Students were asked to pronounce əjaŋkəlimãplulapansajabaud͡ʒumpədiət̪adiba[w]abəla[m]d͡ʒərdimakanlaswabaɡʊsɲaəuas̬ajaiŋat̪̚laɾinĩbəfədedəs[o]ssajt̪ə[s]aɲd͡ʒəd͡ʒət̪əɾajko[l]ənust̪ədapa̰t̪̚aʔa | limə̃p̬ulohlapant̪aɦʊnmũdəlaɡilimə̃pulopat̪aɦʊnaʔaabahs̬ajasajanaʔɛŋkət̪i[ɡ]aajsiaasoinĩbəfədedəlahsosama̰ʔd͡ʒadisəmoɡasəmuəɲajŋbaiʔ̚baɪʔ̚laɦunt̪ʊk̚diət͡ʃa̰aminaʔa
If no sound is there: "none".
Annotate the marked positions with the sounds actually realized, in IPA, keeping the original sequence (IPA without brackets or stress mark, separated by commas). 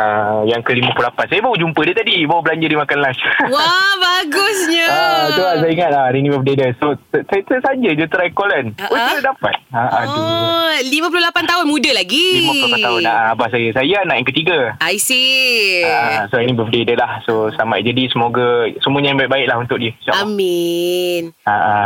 w, ɲ, o, s, l, ɡ